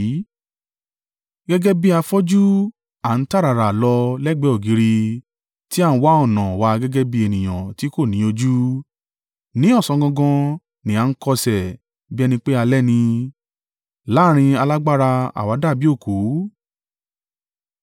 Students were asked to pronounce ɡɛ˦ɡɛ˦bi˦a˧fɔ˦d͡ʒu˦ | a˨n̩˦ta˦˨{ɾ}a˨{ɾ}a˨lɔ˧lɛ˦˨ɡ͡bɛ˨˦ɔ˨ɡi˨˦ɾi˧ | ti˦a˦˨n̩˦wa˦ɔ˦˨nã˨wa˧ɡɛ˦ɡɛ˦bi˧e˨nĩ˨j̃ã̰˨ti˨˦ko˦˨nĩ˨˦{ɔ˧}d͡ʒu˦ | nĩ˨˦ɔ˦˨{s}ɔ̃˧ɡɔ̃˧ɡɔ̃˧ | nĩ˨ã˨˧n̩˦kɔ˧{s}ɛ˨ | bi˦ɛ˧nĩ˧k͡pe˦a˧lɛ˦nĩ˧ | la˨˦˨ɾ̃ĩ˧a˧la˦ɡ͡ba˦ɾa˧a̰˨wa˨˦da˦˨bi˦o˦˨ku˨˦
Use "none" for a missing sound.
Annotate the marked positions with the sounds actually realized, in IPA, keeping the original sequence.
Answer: ɾ, ɾ, o˧, s, s

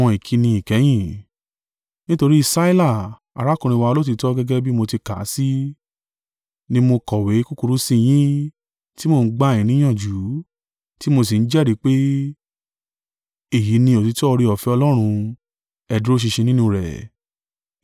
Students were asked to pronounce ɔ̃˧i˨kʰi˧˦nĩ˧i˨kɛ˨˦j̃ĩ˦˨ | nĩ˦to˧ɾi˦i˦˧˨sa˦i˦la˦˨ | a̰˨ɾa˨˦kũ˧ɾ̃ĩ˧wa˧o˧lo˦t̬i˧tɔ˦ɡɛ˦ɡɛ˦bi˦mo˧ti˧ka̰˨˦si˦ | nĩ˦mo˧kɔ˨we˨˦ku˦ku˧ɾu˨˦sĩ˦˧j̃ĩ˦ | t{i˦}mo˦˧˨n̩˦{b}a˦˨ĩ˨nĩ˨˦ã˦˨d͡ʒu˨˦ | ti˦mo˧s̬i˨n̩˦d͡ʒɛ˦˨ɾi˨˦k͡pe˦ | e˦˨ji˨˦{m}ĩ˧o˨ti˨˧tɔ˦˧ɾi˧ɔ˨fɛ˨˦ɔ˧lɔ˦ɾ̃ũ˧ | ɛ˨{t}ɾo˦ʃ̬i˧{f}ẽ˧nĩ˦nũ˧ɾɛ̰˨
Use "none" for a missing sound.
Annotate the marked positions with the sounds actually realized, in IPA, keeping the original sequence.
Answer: i˦, ɡ͡b, n, d, ʃ

